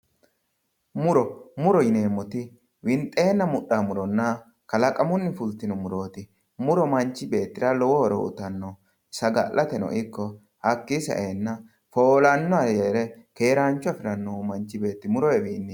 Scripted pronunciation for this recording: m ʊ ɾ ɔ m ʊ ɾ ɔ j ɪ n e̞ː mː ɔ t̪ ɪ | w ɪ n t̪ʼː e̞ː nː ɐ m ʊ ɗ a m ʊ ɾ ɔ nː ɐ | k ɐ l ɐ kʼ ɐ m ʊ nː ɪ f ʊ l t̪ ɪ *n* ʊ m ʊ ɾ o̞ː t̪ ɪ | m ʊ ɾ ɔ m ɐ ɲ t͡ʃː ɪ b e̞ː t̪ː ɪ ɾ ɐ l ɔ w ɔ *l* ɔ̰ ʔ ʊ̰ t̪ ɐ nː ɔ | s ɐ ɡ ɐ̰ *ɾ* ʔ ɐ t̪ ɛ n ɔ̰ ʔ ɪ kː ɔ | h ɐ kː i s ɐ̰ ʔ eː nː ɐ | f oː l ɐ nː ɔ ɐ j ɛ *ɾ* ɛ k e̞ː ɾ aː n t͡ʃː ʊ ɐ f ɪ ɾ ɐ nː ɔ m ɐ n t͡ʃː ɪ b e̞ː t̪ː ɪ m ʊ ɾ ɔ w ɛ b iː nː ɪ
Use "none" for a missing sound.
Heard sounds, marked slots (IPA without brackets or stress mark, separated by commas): n, ɾ, l, ɾ